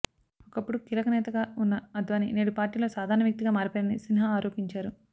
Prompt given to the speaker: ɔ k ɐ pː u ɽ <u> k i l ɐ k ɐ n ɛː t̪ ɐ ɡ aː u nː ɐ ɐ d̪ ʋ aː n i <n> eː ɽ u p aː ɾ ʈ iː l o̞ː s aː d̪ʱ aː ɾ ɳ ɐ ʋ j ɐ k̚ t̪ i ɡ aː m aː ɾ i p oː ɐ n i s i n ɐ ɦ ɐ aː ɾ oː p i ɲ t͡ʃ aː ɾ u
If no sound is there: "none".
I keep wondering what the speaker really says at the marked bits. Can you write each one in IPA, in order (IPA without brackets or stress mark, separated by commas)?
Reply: u, n